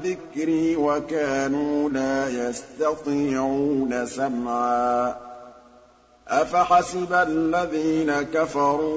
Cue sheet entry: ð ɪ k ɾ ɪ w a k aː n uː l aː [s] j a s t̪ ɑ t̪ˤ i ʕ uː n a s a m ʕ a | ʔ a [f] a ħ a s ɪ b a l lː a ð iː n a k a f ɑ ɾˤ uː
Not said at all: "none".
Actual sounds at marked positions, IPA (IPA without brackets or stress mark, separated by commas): none, f